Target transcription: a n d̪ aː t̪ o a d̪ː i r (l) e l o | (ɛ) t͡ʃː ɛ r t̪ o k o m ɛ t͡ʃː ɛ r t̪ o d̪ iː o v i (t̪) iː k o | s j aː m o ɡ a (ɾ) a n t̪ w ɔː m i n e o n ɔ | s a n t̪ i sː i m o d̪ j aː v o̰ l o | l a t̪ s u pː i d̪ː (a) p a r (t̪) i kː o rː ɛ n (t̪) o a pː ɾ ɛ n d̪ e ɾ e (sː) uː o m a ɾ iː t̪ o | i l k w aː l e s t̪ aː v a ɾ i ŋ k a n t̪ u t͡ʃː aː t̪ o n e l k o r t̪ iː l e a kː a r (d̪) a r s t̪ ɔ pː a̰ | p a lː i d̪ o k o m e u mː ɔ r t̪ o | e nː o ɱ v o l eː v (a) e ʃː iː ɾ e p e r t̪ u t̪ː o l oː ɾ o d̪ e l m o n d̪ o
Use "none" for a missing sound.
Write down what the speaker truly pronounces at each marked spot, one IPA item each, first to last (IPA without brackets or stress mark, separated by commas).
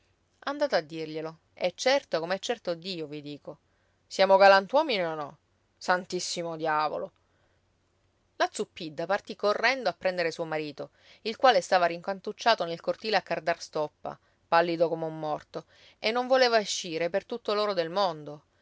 ʎ, ɛ, d̪, l, a, t̪, d̪, s, d̪, a